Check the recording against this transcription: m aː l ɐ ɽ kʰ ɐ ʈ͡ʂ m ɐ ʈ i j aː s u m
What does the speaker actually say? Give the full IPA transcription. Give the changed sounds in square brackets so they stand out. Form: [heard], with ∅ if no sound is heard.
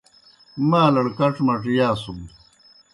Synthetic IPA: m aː l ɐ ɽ [k] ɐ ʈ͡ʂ m ɐ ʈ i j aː s u m